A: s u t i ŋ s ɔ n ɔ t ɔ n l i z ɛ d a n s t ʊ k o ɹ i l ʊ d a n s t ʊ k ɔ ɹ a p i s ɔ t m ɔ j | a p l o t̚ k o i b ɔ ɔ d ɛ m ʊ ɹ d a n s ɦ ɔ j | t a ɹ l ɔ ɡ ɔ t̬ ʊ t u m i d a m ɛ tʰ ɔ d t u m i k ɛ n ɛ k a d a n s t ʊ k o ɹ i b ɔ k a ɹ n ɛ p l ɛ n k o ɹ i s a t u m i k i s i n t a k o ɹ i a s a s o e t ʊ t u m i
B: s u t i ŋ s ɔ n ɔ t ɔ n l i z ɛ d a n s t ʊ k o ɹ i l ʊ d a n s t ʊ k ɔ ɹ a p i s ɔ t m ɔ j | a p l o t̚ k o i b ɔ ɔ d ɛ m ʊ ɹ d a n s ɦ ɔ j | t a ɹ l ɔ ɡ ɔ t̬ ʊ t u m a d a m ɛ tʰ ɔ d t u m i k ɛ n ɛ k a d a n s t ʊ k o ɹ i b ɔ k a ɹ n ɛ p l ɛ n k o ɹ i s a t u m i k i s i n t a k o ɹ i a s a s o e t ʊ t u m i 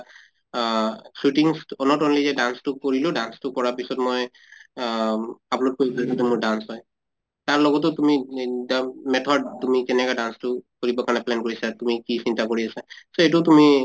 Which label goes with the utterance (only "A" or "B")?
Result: A